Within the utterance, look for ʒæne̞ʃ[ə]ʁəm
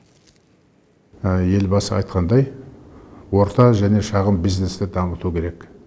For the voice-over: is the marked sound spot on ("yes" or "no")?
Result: no